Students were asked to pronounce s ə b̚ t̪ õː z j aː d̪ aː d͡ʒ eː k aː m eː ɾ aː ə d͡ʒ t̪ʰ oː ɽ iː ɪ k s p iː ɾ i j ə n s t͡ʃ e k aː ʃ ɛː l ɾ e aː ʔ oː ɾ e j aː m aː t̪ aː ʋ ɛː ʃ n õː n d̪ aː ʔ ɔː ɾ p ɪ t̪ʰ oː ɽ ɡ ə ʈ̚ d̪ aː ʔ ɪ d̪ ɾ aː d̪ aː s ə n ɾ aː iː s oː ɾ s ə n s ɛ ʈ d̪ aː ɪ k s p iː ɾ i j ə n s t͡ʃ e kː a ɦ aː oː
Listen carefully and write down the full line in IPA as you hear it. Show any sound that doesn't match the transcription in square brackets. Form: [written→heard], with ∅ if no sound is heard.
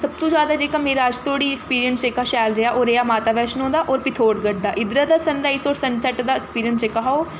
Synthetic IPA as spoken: s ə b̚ t̪ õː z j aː d̪ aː d͡ʒ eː k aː m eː ɾ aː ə d͡ʒ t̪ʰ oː ɽ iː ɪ k s p iː ɾ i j ə n s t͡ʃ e k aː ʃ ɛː l ɾ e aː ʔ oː ɾ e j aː m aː t̪ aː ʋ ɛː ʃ n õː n d̪ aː ʔ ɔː ɾ p ɪ t̪ʰ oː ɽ ɡ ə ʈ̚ d̪ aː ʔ ɪ d̪ ɾ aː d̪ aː s ə n ɾ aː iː s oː ɾ s ə n s ɛ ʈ d̪ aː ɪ k s p iː ɾ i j ə n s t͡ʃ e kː a ɦ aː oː

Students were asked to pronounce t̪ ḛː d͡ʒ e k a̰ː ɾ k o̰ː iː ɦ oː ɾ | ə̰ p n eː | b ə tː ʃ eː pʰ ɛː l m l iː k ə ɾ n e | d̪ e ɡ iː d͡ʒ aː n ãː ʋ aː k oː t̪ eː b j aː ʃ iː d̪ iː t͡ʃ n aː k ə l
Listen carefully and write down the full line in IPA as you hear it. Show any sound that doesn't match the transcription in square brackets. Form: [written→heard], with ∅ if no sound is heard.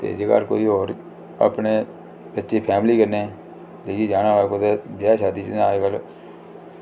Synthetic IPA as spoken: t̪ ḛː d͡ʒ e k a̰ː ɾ k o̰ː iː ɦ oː ɾ | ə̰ p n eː | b ə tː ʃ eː pʰ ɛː [l→∅] m l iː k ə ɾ n e | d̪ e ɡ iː d͡ʒ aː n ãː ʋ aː k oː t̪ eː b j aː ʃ [iː→aː] d̪ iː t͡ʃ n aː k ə l

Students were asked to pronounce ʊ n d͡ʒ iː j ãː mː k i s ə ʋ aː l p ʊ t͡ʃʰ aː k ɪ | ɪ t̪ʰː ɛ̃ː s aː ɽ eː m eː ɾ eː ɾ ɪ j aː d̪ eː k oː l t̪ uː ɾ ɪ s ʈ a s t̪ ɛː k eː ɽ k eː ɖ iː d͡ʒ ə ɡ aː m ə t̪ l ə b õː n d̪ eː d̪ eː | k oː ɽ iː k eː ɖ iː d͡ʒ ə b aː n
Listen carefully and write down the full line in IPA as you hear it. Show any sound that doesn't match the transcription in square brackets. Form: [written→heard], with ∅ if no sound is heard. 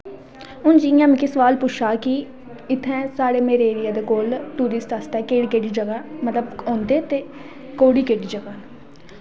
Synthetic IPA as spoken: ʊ n d͡ʒ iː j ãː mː k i s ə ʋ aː l p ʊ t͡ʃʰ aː k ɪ | ɪ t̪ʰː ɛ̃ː s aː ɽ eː m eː ɾ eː ɾ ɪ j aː d̪ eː k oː l t̪ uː ɾ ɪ s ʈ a s t̪ ɛː k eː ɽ k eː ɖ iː d͡ʒ ə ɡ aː m ə t̪ l ə b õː n d̪ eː [d̪→t̪] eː | k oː ɽ iː k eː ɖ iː d͡ʒ ə [b→ɡ] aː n

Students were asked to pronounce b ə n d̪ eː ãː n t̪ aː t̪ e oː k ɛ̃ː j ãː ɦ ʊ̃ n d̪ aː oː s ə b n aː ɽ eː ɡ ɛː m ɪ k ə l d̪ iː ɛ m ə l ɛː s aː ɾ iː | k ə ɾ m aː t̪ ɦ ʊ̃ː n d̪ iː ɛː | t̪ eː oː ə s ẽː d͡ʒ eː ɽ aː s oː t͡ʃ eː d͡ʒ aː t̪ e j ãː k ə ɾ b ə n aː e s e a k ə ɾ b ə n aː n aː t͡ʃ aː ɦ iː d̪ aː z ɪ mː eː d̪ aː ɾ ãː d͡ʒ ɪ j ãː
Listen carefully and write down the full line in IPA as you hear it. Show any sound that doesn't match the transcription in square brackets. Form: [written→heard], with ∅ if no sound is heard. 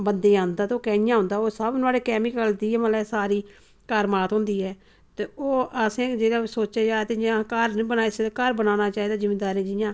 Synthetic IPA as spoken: b ə n d̪ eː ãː n [t̪→d̪] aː t̪ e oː k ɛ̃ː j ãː ɦ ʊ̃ n d̪ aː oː s ə b n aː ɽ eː [ɡ→k] ɛː m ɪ k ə l d̪ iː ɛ m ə l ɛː s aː ɾ iː | k ə ɾ m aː t̪ ɦ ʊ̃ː n d̪ iː ɛː | t̪ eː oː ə s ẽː d͡ʒ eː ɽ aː s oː t͡ʃ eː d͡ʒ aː t̪ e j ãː k ə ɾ b ə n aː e s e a k ə ɾ b ə n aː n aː t͡ʃ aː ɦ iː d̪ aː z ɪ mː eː d̪ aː ɾ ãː d͡ʒ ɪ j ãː

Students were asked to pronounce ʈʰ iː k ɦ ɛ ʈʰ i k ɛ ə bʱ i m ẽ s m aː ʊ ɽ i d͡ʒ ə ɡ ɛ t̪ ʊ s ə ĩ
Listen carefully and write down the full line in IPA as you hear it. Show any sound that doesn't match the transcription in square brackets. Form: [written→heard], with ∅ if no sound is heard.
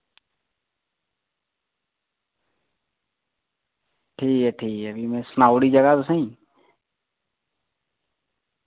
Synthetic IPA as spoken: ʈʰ iː k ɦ ɛ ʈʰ [i→iː] k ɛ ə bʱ i m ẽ s [m→n] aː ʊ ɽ i d͡ʒ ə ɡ [ɛ→a] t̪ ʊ s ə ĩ

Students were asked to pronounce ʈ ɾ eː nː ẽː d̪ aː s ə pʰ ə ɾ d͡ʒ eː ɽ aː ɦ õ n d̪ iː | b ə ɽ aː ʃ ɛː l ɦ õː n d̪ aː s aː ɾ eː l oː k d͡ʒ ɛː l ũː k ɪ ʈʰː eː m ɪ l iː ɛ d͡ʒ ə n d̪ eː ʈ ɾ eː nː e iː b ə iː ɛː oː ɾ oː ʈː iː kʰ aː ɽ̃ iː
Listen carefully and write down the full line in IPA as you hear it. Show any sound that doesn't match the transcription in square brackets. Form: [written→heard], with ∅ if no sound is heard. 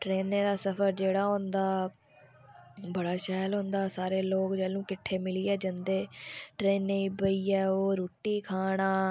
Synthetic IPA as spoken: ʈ ɾ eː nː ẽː d̪ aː s ə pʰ ə ɾ d͡ʒ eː ɽ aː ɦ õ n d̪ [iː→aː] | b ə ɽ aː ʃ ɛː l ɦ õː n d̪ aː s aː ɾ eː l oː k d͡ʒ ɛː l ũː k ɪ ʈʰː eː m ɪ l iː [ɛ→ɛː] d͡ʒ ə n d̪ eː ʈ ɾ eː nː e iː b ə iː ɛː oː ɾ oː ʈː iː kʰ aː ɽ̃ [iː→aː]

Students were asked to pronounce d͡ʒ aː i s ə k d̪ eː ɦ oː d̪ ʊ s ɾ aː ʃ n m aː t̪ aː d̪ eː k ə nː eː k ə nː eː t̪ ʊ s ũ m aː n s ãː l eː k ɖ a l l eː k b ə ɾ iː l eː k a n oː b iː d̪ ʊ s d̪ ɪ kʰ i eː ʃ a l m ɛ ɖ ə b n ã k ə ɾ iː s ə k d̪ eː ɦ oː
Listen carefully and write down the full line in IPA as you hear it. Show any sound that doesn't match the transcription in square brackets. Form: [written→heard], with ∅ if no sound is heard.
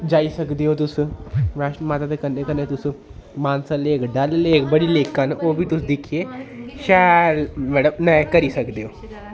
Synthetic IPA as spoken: d͡ʒ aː i s ə k d̪ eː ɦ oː [d̪→t̪] ʊ s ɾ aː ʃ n m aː t̪ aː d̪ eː k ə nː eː k ə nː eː t̪ ʊ s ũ m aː n s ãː l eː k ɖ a l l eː k b ə [ɾ→ɽ] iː l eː k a n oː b iː [d̪→t̪] ʊ s d̪ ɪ kʰ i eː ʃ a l m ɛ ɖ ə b n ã k ə ɾ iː s ə k d̪ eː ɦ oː

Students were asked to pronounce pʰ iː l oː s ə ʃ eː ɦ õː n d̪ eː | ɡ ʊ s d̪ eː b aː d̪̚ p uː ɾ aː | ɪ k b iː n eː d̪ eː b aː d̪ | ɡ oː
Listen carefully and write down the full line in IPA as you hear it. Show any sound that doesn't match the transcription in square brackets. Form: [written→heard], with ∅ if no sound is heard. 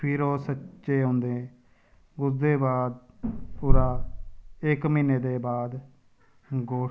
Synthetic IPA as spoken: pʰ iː [l→ɾ] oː s ə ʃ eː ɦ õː n d̪ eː | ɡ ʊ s d̪ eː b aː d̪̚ p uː ɾ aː | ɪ k [b→m] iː n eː d̪ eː b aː d̪ | ɡ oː

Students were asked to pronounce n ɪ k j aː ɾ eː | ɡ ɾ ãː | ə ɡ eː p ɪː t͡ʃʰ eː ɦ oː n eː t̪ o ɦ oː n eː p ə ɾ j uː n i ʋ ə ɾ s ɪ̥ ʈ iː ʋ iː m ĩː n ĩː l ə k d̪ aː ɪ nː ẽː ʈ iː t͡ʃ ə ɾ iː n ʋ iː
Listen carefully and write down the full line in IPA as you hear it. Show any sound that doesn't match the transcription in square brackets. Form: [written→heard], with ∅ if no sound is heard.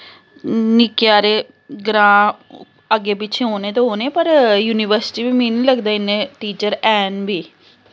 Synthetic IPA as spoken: n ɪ k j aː ɾ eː | ɡ ɾ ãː | ə ɡ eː p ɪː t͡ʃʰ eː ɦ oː n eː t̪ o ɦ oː n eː p ə ɾ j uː n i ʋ ə ɾ s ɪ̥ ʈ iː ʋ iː m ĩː n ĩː l ə [k→ɡ] d̪ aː ɪ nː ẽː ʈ iː t͡ʃ ə ɾ [iː→ɛː] n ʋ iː

